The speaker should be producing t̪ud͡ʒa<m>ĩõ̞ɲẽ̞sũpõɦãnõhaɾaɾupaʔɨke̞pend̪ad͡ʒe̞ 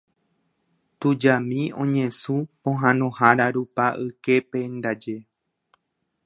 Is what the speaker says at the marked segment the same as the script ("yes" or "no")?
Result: yes